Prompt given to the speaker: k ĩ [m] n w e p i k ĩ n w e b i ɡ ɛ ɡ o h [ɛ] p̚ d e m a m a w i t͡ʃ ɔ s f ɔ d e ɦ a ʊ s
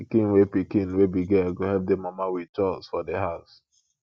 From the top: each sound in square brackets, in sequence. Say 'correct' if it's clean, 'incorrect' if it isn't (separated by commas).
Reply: incorrect, correct